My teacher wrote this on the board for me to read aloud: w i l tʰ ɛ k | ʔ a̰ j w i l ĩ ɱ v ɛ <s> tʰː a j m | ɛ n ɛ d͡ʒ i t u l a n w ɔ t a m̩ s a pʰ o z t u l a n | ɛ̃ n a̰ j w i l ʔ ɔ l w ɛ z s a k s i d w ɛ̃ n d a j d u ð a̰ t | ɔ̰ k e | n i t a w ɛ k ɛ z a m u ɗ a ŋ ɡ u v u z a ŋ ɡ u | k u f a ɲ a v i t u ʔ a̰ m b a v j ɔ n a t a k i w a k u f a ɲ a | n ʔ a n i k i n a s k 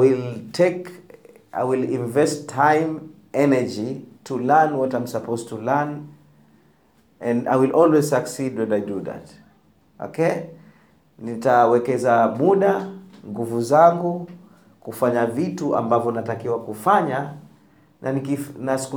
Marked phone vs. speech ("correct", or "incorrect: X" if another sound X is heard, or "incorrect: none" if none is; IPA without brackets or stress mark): correct